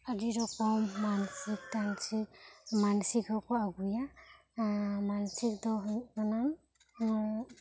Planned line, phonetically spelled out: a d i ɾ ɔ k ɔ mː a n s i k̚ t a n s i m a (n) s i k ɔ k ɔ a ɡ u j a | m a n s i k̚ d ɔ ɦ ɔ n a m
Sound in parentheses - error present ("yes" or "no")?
no